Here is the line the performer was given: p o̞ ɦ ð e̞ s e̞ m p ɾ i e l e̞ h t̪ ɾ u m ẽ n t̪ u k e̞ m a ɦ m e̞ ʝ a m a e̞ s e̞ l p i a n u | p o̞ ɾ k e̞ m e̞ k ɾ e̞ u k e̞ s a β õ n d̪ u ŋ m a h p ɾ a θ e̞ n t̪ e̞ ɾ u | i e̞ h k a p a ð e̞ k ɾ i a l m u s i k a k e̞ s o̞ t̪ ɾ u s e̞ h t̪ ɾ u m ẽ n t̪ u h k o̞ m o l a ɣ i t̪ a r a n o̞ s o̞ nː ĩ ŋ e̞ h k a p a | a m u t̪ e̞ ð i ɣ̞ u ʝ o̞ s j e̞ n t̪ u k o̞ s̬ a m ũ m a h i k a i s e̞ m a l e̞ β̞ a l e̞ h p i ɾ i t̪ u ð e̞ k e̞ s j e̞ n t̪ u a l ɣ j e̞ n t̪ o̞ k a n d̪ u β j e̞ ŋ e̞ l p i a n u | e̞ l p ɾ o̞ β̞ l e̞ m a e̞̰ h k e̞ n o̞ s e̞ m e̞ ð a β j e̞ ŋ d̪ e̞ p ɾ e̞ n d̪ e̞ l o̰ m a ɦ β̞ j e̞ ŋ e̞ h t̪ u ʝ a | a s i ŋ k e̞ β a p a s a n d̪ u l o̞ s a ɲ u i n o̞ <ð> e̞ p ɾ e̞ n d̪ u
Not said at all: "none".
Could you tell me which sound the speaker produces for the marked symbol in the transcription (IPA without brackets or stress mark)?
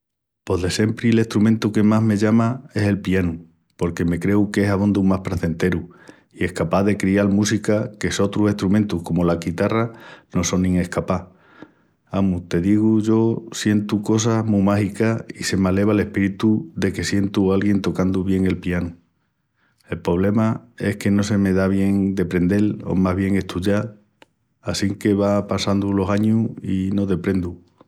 ð